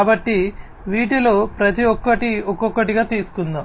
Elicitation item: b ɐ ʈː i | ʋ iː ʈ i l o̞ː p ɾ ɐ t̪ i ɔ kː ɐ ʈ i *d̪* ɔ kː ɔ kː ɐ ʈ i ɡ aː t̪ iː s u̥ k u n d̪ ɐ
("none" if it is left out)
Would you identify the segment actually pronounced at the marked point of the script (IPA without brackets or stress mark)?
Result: none